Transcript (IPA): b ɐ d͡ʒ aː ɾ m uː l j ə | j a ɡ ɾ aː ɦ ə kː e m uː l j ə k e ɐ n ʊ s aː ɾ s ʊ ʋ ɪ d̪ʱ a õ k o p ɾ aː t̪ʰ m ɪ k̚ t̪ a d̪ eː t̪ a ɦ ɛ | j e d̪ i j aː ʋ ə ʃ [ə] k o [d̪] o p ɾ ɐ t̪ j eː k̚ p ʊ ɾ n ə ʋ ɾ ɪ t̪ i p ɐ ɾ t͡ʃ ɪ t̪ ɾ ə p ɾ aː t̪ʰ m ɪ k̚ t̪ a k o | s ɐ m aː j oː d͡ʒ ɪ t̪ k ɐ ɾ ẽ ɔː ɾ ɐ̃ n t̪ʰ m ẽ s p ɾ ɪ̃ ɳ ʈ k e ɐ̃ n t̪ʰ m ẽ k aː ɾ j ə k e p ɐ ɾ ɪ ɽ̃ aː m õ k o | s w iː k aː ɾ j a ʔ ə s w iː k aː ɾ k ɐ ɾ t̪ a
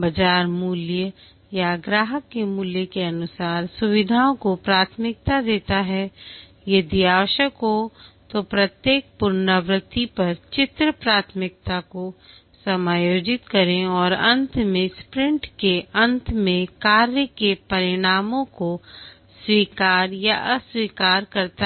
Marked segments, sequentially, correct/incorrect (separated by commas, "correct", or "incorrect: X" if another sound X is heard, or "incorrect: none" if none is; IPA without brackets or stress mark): correct, incorrect: t̪